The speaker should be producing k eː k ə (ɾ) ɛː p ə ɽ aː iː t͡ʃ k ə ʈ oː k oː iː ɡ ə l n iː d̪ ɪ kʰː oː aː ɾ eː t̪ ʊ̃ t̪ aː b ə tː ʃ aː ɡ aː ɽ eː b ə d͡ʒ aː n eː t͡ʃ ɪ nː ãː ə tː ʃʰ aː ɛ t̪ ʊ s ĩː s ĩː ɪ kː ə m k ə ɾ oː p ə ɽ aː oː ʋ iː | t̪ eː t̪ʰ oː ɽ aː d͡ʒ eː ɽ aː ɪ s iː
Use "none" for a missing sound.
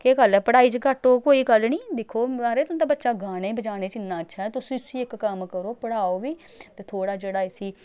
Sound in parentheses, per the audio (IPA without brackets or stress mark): l